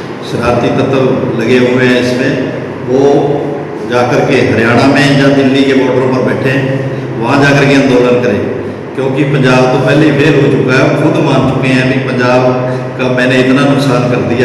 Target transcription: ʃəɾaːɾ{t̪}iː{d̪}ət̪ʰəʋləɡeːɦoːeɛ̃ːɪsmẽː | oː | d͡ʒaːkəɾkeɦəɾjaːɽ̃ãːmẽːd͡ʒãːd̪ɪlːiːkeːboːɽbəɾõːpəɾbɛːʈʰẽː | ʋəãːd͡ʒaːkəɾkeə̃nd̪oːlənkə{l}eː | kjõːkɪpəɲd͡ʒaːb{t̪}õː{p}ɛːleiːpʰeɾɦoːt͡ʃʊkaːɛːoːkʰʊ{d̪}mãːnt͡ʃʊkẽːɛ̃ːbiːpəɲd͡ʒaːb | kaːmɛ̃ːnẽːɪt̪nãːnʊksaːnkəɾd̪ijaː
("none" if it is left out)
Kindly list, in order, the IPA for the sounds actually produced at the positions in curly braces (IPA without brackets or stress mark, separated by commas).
t̪, t̪, ɾ, t̪, p, d̪